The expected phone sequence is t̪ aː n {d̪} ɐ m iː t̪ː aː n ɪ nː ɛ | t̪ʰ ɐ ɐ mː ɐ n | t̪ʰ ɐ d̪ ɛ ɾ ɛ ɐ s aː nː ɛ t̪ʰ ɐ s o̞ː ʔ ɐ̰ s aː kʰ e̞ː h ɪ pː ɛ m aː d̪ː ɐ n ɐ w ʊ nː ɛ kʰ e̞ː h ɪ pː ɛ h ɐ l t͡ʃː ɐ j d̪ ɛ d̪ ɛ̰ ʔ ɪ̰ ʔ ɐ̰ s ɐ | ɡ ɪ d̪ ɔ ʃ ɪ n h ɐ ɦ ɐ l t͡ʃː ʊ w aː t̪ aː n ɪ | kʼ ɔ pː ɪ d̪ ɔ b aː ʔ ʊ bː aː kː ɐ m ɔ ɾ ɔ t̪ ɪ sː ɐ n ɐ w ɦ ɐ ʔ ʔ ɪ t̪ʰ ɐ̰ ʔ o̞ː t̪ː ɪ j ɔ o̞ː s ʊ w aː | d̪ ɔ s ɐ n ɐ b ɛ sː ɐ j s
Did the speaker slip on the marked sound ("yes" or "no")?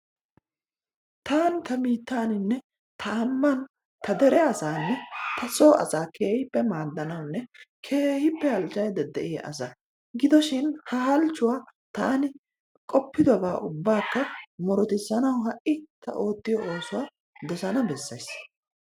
yes